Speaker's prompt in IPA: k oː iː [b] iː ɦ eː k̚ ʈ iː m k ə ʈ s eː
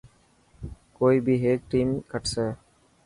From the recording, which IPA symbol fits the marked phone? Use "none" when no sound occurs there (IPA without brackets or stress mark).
b